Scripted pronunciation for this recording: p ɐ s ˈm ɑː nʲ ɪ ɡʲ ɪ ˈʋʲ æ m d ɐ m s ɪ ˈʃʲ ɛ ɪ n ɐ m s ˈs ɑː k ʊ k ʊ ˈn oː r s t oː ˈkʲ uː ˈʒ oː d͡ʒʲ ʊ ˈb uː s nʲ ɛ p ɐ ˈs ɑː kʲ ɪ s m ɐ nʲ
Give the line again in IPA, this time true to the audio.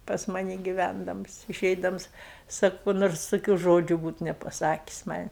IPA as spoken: p ɐ s ˈm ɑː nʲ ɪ ɡʲ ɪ ˈʋʲ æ n d ɐ m s ɪ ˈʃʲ ɛ ɪ d ɐ m s ˈs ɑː k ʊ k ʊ ˈn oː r s t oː ˈkʲ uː ˈʒ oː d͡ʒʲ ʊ ˈb uː t nʲ ɛ p ɐ ˈs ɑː kʲ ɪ s m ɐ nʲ